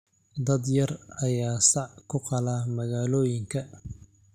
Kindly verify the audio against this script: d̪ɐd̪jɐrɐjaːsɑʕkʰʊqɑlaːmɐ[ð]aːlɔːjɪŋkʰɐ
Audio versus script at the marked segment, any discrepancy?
yes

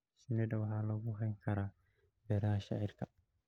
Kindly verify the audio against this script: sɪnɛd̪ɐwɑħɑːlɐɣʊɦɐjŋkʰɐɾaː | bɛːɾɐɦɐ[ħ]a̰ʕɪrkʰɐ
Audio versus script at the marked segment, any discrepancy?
yes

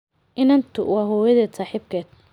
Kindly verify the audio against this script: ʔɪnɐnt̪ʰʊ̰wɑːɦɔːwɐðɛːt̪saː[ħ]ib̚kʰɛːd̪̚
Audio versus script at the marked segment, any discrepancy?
no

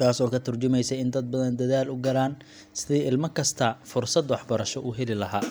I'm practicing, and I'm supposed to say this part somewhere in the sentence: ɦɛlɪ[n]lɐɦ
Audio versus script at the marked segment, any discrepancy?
yes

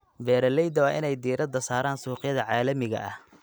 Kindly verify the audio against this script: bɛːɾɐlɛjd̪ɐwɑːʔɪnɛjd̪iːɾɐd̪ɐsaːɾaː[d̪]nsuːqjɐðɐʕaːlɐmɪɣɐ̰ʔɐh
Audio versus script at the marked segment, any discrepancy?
yes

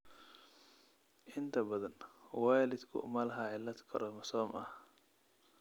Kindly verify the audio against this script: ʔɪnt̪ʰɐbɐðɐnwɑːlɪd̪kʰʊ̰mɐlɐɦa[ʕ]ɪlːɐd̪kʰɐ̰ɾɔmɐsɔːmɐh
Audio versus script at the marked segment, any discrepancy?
no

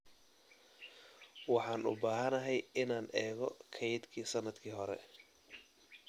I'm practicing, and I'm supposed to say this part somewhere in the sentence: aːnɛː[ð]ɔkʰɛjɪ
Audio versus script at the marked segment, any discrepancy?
yes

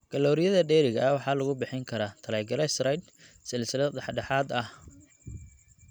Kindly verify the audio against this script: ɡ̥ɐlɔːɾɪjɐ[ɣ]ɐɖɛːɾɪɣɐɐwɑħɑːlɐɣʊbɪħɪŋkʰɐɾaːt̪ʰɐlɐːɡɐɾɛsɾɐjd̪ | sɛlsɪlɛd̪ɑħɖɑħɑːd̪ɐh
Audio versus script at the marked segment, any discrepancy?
yes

